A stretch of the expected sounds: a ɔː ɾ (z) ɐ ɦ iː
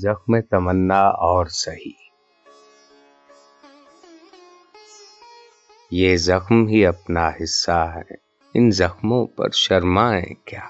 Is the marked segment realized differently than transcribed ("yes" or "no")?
yes